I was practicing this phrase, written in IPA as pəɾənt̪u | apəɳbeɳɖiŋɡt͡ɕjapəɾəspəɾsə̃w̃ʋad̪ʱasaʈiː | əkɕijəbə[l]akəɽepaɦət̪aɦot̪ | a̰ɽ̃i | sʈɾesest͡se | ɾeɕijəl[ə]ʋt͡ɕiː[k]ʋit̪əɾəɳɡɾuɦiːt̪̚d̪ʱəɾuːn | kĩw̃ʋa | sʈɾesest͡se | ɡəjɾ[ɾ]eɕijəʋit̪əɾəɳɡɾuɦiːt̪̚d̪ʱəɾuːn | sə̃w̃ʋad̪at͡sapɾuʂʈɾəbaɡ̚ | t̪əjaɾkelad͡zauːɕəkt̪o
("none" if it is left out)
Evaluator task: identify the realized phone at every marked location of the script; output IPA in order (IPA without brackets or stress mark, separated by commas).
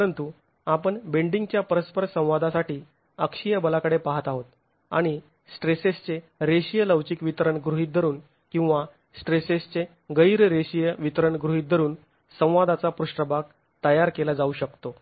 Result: l, ə, k, ɾ